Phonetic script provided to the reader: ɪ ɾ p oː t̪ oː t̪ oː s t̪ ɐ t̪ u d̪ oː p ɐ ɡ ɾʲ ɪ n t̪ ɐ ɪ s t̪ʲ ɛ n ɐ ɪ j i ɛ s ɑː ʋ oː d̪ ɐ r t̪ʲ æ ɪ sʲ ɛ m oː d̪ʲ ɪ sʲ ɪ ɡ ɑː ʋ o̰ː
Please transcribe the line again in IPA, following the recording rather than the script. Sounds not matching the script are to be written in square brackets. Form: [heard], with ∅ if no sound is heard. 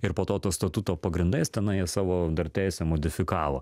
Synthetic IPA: ɪ ɾ p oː t̪ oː t̪ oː s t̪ ɐ t̪ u [t̪] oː p ɐ ɡ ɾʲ ɪ n [d̪] ɐ ɪ s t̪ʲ ɛ n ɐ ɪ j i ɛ s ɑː ʋ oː d̪ ɐ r t̪ʲ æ ɪ sʲ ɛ m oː d̪ʲ ɪ [fʲ] ɪ [k] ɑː ʋ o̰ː